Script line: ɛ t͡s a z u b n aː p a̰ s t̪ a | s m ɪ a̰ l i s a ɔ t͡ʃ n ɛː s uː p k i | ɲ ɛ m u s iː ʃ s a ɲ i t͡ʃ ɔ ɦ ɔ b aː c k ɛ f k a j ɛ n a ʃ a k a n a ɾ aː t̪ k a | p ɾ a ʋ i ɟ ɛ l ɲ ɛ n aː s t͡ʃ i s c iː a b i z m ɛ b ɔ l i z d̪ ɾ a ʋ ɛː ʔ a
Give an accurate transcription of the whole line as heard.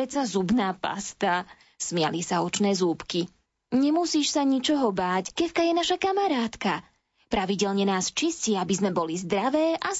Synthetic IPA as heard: ɛ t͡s a z u b n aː p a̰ s t̪ a | s m ɪ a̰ l i s a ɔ t͡ʃ n ɛː z uː p k i | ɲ ɛ m u s iː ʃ s a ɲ i t͡ʃ ɔ ɦ ɔ b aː c k ɛ f k a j ɛ n a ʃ a k a m a ɾ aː t̪ k a | p ɾ a ʋ i ɟ ɛ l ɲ ɛ n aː s t͡ʃ i s c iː a b i z m ɛ b ɔ l i z d̪ ɾ a ʋ ɛː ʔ a